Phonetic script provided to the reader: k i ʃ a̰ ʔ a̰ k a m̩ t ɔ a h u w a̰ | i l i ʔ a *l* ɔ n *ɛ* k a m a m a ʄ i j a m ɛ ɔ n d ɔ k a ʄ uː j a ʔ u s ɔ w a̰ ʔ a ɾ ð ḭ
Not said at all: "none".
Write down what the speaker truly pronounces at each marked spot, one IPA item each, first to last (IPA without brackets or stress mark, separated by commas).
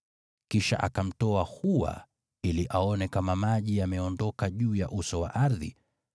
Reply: none, ɛ